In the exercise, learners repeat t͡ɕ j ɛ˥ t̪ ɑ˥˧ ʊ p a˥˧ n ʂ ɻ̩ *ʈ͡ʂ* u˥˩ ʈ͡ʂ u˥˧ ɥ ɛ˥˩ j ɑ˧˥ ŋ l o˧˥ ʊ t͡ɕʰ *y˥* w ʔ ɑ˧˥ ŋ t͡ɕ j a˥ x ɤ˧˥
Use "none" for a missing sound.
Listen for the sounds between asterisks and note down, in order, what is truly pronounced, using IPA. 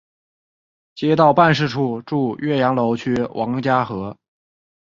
ʈ͡ʂʰ, y˥

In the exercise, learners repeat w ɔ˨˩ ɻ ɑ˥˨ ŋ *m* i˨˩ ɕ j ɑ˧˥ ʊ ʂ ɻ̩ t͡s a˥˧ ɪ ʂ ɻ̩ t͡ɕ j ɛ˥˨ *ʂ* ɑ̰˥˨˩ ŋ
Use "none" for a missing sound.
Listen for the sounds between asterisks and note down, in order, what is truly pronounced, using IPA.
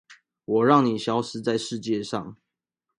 n, ʂ

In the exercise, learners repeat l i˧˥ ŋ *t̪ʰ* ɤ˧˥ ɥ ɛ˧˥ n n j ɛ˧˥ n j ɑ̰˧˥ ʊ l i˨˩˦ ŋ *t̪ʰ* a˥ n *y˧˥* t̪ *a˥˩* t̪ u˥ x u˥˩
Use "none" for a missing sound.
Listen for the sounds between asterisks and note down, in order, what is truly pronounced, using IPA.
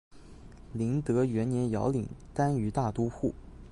t̪, t̪, y˧˥, a˥˩

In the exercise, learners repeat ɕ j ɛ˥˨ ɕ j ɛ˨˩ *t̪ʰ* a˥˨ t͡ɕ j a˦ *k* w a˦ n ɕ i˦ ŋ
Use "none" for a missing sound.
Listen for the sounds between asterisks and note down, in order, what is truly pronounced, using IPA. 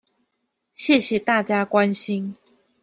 t̪, k

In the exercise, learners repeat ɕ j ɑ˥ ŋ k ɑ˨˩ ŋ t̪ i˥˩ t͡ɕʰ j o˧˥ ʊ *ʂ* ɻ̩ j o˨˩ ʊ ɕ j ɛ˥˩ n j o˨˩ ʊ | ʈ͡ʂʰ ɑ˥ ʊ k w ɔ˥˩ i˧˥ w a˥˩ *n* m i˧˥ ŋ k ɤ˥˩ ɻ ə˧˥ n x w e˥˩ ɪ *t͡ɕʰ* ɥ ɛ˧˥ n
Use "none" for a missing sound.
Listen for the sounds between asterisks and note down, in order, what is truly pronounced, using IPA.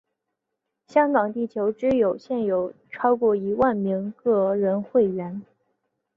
ʈ͡ʂ, n, none

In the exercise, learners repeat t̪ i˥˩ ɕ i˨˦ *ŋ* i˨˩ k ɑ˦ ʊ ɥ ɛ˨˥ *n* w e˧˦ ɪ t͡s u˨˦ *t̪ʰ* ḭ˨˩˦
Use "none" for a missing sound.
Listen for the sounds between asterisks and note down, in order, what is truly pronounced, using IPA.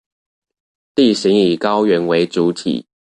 ŋ, n, t̪ʰ

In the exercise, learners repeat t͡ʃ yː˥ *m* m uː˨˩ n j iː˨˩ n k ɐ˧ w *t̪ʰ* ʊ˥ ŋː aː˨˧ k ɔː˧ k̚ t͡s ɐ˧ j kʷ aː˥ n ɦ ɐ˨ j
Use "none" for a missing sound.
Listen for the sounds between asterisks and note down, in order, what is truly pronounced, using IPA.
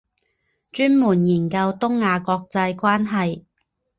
n, t̪

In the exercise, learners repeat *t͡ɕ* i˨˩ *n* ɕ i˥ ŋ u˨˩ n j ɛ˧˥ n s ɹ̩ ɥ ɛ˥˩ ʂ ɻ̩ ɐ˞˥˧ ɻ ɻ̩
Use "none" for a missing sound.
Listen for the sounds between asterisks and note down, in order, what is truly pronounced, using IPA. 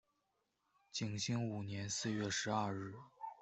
t͡ɕ, ŋ

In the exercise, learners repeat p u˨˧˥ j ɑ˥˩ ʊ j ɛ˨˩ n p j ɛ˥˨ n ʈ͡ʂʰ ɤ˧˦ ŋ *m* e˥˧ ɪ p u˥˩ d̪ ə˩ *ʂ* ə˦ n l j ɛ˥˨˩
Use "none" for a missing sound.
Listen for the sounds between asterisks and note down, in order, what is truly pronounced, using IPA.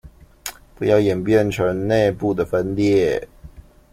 n, f

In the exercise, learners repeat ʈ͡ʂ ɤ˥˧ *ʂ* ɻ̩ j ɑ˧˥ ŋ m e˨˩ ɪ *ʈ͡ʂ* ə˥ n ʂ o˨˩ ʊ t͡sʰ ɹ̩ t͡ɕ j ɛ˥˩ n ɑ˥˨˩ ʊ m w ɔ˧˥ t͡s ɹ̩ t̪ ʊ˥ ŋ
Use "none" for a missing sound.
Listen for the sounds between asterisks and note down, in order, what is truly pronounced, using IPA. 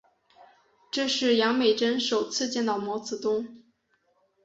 ʂ, ʈ͡ʂ

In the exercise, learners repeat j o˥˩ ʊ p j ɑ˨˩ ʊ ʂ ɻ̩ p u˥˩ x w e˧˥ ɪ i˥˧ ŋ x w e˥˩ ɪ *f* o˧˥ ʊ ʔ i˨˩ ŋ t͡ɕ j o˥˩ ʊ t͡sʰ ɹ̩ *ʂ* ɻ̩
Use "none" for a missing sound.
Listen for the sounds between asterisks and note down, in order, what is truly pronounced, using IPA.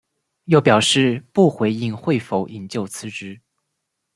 f, ʈ͡ʂ

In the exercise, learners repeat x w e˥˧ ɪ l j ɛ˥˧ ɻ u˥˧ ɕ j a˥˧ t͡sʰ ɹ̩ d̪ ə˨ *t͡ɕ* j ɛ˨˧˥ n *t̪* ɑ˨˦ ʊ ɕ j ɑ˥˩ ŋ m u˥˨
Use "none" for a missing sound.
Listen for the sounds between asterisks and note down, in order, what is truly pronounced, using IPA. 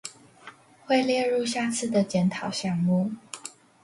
t͡ɕ, t̪ʰ

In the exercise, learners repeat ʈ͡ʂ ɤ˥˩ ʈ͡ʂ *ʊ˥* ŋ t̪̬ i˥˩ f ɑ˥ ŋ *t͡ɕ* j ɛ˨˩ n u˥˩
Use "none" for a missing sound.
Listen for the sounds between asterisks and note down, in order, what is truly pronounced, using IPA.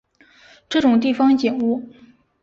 ʊ˨˩, t͡ɕ

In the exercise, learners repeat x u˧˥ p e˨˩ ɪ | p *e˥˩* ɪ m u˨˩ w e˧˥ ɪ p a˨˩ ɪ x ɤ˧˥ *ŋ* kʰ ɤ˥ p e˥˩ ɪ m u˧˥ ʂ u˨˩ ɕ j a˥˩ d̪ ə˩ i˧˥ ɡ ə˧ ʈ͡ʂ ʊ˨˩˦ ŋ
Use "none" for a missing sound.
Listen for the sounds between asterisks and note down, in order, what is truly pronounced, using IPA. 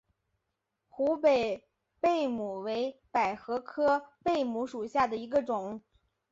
e˥˩, none

